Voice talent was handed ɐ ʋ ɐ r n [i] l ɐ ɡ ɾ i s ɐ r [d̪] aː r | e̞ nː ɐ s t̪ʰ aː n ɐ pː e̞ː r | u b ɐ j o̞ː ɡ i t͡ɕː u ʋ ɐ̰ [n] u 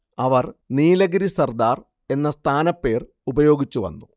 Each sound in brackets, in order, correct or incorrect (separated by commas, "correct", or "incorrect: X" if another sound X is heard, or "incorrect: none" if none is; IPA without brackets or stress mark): incorrect: iː, correct, incorrect: nː